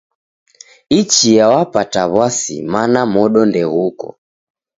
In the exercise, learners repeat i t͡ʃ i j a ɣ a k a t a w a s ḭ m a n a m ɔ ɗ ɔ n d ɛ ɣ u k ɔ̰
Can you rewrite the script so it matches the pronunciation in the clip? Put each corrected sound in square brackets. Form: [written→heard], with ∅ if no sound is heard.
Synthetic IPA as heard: i t͡ʃ i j a [ɣ→w] a [k→p] a t a [w→β] a s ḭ m a n a m ɔ ɗ ɔ n d ɛ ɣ u k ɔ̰